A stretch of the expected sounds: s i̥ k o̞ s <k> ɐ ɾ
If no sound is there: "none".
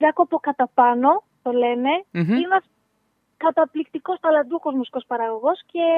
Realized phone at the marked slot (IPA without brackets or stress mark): p